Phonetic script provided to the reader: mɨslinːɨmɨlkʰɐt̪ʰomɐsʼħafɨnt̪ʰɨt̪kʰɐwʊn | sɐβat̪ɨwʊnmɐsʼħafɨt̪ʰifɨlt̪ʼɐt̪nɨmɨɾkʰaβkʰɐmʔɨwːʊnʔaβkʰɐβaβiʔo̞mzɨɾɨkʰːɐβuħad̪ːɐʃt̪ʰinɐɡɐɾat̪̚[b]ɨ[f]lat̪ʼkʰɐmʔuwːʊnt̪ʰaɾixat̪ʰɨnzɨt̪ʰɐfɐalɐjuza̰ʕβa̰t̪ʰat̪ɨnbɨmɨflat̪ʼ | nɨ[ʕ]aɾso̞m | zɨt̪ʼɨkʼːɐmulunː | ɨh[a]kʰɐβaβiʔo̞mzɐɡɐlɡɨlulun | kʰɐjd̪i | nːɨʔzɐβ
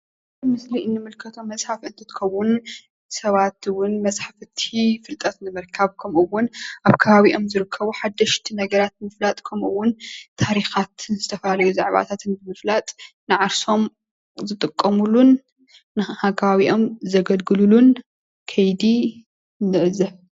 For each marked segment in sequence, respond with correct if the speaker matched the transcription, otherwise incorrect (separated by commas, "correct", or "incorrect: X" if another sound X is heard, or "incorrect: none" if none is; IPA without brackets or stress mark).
incorrect: m, correct, correct, correct